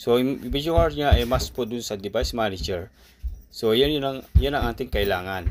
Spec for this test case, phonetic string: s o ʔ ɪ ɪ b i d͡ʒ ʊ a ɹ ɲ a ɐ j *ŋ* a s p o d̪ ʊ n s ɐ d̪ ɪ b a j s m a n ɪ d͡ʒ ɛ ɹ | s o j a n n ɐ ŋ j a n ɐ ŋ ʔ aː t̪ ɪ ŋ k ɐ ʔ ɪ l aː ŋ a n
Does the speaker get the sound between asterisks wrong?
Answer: yes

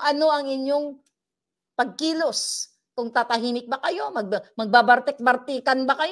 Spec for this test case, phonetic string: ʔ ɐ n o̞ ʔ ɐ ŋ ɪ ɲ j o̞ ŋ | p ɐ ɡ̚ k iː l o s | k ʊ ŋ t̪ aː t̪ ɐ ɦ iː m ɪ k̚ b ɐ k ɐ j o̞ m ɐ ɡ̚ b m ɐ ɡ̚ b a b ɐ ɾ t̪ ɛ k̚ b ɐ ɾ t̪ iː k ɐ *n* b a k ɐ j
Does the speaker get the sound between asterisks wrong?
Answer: no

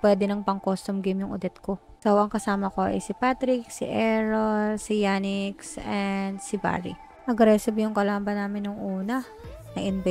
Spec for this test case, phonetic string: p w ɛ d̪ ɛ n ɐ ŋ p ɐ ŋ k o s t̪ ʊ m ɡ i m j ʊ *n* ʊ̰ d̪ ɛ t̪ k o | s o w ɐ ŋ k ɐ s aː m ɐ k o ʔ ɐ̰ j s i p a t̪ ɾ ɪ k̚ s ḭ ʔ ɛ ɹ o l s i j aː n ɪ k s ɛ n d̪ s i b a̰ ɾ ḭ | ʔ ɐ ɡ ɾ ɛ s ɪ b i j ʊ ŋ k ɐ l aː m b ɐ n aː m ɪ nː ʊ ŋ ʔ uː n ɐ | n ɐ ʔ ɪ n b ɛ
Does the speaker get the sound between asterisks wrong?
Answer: yes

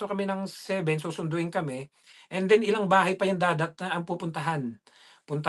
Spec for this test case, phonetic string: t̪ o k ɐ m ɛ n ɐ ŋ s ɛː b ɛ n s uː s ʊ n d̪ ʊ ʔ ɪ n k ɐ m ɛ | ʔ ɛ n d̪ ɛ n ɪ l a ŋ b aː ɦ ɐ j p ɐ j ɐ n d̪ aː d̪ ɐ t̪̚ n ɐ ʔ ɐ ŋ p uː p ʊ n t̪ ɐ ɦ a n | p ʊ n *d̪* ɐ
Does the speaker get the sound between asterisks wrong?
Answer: yes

